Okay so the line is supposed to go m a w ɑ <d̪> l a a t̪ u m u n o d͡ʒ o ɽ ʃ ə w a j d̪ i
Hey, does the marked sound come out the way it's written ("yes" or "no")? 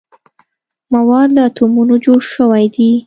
yes